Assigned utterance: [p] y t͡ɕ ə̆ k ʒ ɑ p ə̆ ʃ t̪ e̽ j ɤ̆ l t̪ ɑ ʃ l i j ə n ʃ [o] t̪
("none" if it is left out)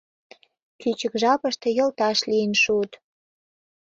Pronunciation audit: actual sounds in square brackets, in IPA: k, u

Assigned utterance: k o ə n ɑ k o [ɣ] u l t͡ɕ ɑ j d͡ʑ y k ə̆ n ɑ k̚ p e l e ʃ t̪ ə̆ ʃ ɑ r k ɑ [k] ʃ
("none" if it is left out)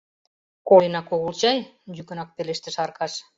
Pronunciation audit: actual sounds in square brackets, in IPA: ɣ, none

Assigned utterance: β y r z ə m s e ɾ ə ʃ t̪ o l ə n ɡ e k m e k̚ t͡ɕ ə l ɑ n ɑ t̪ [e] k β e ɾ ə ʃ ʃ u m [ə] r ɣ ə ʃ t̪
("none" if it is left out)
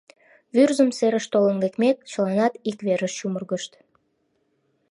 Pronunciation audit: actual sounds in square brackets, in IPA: i, ə

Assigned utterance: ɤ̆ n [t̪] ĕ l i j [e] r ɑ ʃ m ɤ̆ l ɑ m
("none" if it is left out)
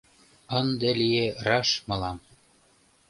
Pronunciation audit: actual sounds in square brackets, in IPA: d̪, e

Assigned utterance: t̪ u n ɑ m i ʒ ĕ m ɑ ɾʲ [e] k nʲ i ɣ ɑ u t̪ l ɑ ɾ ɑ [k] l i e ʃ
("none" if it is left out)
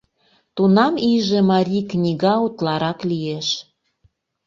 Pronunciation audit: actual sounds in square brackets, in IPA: i, k

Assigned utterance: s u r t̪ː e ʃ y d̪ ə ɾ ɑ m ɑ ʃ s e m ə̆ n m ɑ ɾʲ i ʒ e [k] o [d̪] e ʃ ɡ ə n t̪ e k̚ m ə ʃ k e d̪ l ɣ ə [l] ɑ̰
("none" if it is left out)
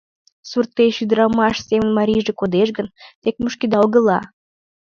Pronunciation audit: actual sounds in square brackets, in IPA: k, d̪, l

